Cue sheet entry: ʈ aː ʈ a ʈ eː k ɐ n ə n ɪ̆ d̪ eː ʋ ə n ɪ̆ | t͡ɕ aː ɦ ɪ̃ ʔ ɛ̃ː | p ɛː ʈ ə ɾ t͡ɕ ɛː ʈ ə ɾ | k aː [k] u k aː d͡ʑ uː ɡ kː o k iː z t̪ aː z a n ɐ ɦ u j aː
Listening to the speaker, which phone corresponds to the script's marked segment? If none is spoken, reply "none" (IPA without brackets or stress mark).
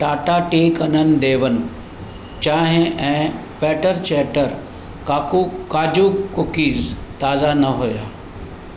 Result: k